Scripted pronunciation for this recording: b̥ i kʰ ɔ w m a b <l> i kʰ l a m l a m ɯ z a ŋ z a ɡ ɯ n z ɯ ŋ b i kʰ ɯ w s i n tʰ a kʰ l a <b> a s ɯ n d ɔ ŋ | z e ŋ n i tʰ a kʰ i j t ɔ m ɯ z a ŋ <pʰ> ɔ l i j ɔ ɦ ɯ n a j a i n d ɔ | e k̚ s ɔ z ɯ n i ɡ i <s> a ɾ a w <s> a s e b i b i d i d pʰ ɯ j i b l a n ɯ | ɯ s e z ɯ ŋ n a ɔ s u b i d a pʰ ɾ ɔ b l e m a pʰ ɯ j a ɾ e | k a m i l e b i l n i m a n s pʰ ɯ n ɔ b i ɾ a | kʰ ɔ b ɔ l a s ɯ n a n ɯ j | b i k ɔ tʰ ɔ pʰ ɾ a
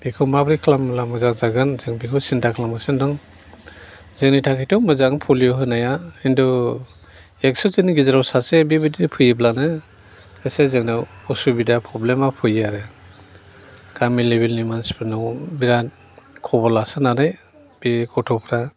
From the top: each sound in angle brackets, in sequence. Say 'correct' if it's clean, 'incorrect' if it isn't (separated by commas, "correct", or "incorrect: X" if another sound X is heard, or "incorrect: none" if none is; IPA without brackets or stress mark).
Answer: incorrect: ɾ, incorrect: m, correct, incorrect: z, correct